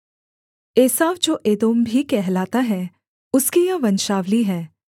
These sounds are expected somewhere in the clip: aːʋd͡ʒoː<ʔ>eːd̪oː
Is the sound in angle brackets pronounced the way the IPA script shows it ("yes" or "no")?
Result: yes